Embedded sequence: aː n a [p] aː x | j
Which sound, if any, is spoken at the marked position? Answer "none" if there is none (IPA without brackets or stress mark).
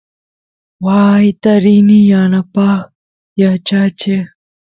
p